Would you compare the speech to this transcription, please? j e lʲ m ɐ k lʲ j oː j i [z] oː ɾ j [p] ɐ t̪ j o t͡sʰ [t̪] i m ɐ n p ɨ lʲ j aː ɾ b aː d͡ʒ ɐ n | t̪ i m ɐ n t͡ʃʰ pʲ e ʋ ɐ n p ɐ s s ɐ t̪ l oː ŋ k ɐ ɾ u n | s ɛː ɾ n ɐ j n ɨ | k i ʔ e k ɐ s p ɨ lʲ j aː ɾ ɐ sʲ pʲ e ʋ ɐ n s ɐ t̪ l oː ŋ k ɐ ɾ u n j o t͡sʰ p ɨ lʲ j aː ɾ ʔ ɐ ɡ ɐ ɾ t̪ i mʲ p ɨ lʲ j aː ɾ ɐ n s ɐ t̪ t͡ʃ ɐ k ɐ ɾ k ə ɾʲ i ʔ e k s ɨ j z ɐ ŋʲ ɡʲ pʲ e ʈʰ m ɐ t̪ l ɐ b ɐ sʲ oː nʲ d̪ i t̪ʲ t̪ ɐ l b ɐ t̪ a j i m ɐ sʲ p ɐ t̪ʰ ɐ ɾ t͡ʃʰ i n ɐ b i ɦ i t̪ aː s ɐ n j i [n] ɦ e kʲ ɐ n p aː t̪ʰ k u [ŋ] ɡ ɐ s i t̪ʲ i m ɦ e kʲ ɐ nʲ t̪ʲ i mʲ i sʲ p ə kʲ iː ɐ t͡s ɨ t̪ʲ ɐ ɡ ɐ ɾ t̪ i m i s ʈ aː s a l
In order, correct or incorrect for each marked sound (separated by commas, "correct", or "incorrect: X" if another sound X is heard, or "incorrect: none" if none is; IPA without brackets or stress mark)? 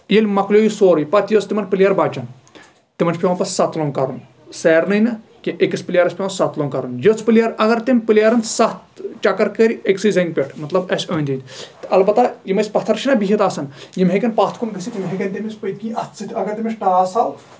incorrect: s, correct, correct, incorrect: m, incorrect: n